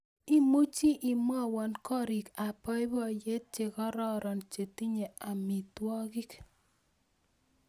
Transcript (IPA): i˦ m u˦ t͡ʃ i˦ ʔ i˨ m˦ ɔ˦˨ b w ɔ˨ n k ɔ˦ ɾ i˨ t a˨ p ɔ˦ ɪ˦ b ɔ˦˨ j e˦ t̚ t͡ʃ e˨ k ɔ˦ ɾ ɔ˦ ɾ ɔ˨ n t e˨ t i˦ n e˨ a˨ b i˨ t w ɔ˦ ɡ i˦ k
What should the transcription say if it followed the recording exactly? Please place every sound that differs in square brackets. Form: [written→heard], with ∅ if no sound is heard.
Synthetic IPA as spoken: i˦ m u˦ t͡ʃ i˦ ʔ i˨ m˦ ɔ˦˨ [b→∅] w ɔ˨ n k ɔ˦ ɾ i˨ [t→k] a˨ p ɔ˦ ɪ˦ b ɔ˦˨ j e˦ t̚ t͡ʃ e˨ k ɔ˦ ɾ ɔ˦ ɾ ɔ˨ n [t→t͡ʃ] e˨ t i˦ [n→ɲ] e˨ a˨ [b→m] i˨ t w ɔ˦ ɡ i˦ k